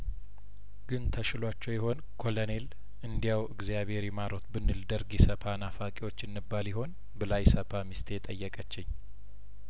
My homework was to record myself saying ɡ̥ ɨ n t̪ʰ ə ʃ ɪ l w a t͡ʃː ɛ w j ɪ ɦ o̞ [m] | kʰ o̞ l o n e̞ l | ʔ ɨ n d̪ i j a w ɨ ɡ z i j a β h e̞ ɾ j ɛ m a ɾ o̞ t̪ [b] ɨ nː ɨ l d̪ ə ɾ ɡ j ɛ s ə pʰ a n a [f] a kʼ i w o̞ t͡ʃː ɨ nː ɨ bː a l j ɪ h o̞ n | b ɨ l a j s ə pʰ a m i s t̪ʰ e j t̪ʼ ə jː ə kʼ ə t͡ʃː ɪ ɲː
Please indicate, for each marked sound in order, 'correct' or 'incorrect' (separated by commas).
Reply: incorrect, correct, correct